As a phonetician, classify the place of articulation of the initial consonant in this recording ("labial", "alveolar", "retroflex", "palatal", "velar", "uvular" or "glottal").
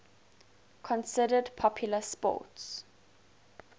velar